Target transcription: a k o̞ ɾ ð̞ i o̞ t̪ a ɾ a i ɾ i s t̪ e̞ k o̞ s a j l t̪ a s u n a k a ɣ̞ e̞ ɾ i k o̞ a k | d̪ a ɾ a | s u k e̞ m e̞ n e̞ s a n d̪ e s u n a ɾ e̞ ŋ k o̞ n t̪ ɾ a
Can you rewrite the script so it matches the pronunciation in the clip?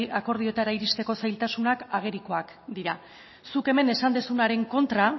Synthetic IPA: a k o̞ ɾ ð̞ i o̞ t̪ a ɾ a i ɾ i s t̪ e̞ k o̞ s a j l t̪ a s u n a k a ɣ̞ e̞ ɾ i k o̞ a k | d̪ i ɾ a | s u k e̞ m e̞ n e̞ s a n d̪ e s u n a ɾ e̞ ŋ k o̞ n t̪ ɾ a

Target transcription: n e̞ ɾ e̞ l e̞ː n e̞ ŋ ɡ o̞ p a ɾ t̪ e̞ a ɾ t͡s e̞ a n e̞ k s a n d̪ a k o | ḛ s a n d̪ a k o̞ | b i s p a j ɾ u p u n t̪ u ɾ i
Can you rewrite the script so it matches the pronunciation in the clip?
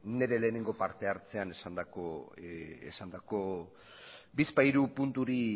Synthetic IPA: n e̞ ɾ e̞ l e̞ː n e̞ ŋ ɡ o̞ p a ɾ t̪ e̞ a ɾ t͡s e̞ a n e̞ s a n d̪ a k o | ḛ s a n d̪ a k o̞ | b i s p a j ɾ u p u n t̪ u ɾ i

